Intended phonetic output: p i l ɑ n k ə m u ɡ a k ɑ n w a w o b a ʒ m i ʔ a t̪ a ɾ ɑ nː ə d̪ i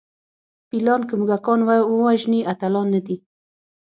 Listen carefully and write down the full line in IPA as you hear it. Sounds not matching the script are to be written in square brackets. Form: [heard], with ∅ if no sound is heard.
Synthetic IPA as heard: p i l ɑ n k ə m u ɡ a k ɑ n w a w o [w] a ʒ [n] i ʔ a t̪ a [l] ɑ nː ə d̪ i